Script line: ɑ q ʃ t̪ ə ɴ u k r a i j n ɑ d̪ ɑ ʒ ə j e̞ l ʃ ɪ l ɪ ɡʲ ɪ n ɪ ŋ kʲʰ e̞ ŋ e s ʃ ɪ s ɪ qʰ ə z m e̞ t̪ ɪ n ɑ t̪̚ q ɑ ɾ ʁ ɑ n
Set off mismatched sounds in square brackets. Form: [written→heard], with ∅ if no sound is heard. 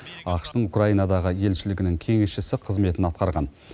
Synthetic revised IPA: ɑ q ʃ t̪ ə ɴ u k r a i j n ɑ d̪ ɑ [ʒ→ʁ] ə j e̞ l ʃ ɪ l ɪ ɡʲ ɪ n ɪ ŋ kʲʰ e̞ ŋ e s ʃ ɪ s ɪ qʰ ə z m e̞ t̪ ɪ n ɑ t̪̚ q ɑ ɾ ʁ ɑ n